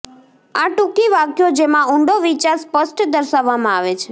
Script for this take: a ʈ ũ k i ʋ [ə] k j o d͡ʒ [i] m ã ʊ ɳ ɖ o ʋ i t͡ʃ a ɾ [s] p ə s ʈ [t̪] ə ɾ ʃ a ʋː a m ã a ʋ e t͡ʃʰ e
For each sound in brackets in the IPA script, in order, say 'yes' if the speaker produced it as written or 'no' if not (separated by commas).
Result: no, no, yes, no